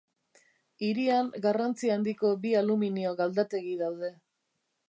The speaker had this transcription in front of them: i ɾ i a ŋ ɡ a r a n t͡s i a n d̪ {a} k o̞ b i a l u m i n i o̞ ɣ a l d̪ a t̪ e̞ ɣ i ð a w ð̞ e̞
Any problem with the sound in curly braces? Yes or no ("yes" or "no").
yes